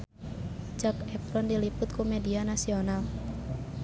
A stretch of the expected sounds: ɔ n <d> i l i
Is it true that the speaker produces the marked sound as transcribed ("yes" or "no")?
yes